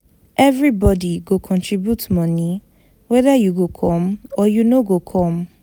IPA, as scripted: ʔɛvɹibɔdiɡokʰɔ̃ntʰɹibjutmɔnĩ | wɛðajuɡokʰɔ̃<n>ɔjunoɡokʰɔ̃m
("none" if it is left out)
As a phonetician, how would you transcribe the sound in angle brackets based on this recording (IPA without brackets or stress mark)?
m